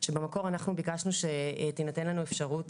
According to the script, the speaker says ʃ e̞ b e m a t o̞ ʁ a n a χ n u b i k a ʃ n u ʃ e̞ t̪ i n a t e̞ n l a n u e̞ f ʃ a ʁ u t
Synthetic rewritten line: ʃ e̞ b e m a k o̞ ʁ a n a χ n u b i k a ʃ n u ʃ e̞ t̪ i n a t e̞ n l a n u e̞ f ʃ a ʁ u t